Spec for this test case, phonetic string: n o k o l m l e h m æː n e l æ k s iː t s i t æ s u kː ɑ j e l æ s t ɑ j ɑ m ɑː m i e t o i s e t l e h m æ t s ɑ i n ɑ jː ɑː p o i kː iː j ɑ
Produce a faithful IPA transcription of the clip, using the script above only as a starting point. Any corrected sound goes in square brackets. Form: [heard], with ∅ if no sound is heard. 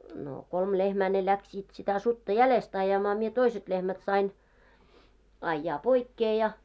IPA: n o k o l m l e h m æː n e l æ k s iː t s i t æ s u [tː] ɑ j [æ] l [e] s t ɑ j ɑ m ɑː m i e t o i s e t l e h m æ t s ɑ i n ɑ jː ɑː p o i kː [eː] j ɑ